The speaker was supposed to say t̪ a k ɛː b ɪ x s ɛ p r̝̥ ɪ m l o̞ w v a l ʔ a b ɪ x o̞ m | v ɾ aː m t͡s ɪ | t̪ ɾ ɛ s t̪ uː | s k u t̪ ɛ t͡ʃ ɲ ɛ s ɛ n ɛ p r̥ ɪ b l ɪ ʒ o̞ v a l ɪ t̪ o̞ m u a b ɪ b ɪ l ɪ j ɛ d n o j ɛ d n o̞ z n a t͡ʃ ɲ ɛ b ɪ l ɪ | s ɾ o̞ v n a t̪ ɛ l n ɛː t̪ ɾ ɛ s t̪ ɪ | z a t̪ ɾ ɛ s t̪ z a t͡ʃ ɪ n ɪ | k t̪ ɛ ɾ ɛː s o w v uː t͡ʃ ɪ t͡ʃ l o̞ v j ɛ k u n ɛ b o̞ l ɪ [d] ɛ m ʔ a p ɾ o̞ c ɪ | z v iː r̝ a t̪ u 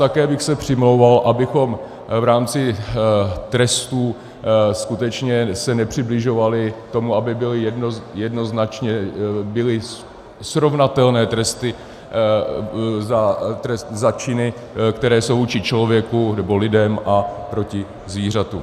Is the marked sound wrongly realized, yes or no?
no